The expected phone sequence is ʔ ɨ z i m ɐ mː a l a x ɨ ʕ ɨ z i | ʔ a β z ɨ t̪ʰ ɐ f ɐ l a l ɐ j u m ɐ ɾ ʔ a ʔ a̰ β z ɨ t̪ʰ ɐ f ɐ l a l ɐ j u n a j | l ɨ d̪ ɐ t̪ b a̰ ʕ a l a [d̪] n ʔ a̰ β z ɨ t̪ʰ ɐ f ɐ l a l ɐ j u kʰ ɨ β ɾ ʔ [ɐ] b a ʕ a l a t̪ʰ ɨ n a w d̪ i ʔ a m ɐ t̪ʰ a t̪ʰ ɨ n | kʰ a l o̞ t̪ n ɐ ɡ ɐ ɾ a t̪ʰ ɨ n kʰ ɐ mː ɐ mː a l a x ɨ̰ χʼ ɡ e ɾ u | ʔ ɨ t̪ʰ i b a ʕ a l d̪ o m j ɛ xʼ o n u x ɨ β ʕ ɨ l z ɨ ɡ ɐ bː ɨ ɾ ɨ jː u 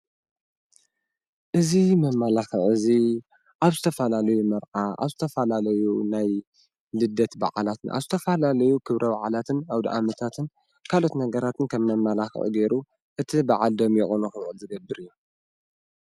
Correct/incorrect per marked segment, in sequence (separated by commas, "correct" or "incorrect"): incorrect, correct